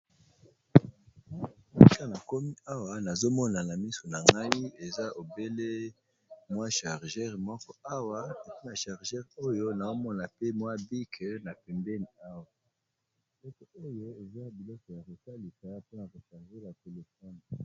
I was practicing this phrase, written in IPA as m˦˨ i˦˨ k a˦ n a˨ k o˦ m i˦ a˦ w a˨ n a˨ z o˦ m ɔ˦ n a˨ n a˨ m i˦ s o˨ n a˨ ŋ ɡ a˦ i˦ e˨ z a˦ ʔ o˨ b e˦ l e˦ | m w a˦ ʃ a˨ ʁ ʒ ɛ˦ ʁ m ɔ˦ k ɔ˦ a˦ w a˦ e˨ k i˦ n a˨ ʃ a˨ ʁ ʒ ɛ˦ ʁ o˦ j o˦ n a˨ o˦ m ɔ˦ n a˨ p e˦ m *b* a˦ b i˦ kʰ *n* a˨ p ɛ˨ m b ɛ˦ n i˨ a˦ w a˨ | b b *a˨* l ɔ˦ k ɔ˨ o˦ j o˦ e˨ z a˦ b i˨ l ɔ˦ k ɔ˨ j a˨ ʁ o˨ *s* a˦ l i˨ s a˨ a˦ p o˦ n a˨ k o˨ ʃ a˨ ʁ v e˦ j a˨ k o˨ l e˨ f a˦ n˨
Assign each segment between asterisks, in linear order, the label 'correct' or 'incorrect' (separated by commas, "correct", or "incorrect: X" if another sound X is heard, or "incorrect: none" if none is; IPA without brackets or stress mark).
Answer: incorrect: w, correct, incorrect: i˨, correct